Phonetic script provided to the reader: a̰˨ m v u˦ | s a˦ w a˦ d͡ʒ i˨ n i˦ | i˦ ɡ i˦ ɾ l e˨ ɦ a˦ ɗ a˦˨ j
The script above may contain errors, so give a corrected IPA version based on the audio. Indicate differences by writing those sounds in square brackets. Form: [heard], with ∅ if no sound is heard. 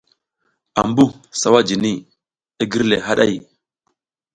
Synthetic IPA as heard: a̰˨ m [b] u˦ | s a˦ w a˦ d͡ʒ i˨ n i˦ | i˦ ɡ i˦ ɾ l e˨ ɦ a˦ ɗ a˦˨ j

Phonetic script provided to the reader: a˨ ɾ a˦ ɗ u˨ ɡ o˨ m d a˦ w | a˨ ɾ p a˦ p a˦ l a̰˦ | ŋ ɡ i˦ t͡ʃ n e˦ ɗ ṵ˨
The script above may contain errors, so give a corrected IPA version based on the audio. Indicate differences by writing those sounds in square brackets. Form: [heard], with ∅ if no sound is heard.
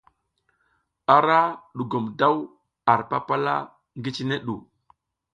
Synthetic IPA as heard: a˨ ɾ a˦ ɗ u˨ ɡ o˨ m d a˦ w | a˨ ɾ p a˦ p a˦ l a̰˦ | ŋ ɡ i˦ t͡ʃ n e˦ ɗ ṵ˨

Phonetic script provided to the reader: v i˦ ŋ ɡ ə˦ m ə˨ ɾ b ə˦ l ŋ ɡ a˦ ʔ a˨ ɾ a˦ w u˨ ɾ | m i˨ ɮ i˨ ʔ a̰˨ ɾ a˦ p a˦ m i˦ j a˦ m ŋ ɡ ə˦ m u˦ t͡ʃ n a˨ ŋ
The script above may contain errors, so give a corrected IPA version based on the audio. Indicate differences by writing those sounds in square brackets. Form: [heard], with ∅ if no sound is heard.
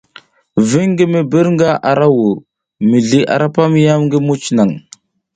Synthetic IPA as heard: v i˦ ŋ ɡ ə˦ m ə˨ [∅] b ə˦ [ɾ] ŋ ɡ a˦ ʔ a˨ ɾ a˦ w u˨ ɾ | m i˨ ɮ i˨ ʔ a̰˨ ɾ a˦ p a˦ m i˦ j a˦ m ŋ ɡ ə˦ m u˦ t͡ʃ n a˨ ŋ

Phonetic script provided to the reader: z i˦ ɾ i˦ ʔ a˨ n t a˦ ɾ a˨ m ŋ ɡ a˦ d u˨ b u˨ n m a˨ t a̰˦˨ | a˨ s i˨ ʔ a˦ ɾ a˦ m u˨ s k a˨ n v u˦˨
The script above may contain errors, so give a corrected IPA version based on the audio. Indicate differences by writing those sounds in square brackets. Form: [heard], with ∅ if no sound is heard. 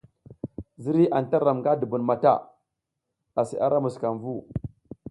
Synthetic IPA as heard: z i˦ ɾ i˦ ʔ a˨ n t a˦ ɾ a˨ m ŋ ɡ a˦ d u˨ b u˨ n m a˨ t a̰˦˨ | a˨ s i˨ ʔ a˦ ɾ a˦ m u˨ s k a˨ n v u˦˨

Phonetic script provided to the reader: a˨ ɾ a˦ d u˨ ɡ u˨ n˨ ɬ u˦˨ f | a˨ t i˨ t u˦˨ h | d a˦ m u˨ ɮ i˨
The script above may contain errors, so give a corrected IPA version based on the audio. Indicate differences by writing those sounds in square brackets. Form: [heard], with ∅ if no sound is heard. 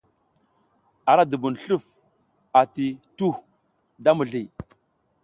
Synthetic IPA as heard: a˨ ɾ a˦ d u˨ [b] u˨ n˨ ɬ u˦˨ f | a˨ t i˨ t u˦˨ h | d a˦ m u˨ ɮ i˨

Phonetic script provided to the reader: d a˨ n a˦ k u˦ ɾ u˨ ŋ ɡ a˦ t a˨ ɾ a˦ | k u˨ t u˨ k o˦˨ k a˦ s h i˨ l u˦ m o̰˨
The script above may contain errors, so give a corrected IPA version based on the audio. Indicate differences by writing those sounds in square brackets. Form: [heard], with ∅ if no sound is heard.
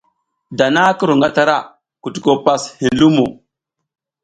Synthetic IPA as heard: d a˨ n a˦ k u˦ ɾ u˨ ŋ ɡ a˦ t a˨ ɾ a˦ | k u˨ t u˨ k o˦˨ [p] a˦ s h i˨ l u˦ m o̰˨

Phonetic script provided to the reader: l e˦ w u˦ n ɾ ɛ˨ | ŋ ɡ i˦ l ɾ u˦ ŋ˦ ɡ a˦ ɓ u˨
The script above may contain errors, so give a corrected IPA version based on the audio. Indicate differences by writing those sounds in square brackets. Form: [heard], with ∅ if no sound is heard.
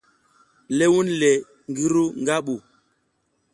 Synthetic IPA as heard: l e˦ w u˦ n [l] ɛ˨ | ŋ ɡ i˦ [∅] ɾ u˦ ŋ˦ ɡ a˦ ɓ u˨

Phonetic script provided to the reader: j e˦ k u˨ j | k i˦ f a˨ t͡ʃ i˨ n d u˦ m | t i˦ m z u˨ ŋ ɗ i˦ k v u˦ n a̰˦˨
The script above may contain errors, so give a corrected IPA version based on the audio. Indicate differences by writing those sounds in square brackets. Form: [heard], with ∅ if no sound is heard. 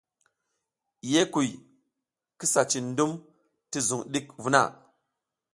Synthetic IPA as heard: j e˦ k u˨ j | k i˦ [s] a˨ t͡ʃ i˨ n d u˦ m | t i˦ [∅] z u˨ ŋ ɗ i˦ k v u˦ n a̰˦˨

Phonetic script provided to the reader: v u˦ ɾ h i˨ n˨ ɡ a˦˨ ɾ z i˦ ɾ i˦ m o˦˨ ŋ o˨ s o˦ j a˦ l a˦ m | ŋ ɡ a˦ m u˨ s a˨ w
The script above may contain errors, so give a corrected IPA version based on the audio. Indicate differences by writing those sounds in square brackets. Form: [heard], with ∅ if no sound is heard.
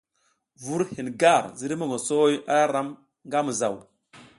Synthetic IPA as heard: v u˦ ɾ h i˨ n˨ ɡ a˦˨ ɾ z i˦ ɾ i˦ m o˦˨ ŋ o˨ s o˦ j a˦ [ɾ] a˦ m | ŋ ɡ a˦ m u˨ [z] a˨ w

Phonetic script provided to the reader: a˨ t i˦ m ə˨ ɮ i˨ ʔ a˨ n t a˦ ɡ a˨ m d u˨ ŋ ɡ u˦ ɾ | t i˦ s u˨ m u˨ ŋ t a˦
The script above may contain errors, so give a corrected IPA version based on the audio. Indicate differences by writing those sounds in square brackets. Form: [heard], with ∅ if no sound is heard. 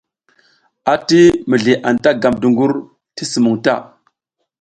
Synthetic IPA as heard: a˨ t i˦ m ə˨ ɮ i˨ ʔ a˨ n t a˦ ɡ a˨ m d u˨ ŋ ɡ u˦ ɾ | t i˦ s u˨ m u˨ ŋ t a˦

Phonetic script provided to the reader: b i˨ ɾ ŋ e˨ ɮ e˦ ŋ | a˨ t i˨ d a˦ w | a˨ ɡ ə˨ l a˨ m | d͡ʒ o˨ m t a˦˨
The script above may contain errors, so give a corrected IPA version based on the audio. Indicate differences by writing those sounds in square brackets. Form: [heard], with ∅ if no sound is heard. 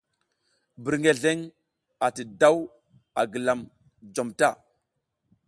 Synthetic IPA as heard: b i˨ ɾ ŋ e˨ ɮ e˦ ŋ | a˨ t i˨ d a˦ w | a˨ ɡ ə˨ l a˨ m | d͡ʒ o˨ m t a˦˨

